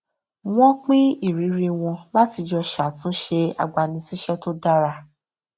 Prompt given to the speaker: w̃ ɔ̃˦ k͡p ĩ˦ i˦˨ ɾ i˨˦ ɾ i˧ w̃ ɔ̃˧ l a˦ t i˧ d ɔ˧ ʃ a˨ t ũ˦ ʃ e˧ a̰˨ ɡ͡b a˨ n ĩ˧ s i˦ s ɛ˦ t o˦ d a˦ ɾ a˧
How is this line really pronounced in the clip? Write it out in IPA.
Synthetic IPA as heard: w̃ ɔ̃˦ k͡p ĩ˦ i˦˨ ɾ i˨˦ ɾ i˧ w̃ ɔ̃˧ l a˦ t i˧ d͡ʒ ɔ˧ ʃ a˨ t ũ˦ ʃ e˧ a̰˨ ɡ͡b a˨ n ĩ˧ s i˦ ʃ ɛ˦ t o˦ d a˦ ɾ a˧